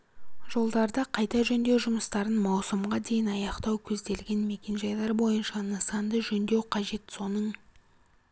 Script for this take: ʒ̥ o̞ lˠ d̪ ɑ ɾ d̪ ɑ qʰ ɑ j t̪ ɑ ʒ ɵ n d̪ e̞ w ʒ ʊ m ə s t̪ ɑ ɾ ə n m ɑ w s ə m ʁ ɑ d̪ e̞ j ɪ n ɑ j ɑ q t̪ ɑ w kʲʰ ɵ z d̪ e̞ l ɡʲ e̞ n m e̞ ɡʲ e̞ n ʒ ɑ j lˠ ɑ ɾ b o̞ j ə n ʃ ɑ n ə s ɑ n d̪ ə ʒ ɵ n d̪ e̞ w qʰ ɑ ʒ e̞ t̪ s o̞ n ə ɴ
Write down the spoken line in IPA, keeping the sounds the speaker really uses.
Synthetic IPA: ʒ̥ o̞ lˠ d̪ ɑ ɾ d̪ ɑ qʰ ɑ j t̪ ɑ ʒ ɵ n d̪ e̞ w ʒ ʊ m ə s t̪ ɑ ɾ ə n m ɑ w s ə m ʁ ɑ d̪ e̞ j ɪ n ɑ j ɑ q t̪ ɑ w kʲʰ ɵ z d̪ e̞ l ɡʲ e̞ n m e̞ kʲ e̞ n ʒ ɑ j lˠ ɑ ɾ b o̞ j ə n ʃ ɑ n ə s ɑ n d̪ ə ʒ ɵ n d̪ e̞ w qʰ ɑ ʒ e̞ t̪ s o̞ n ə ɴ